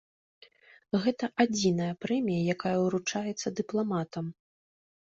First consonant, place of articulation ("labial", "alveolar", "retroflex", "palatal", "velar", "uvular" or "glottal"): velar